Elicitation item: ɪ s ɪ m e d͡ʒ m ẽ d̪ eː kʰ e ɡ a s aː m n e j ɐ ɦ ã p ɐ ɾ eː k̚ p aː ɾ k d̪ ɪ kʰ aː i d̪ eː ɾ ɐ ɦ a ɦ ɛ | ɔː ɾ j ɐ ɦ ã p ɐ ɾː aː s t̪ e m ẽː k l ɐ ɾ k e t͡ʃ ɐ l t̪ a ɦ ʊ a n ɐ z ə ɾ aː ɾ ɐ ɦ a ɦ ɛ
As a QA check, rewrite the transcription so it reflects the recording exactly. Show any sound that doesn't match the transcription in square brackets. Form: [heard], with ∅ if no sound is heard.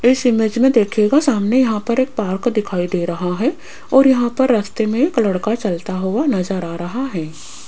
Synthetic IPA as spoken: ɪ s ɪ m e d͡ʒ m ẽ d̪ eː kʰ e ɡ a s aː m n e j ɐ ɦ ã p ɐ ɾ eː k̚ p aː ɾ k d̪ ɪ kʰ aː i d̪ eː ɾ ɐ ɦ a ɦ ɛ | ɔː ɾ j ɐ ɦ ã p ɐ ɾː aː s t̪ e m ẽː k l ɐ [ɽ] k [a] t͡ʃ ɐ l t̪ a ɦ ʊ a n ɐ z ə ɾ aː ɾ ɐ ɦ a ɦ [ɛː]